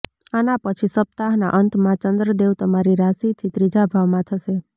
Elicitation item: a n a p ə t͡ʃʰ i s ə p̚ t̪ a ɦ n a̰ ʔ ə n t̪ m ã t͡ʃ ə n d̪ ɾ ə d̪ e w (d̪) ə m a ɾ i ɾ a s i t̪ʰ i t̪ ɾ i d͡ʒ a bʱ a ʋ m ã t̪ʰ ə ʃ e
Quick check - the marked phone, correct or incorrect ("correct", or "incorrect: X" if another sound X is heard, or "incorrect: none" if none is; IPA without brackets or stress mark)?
incorrect: t̪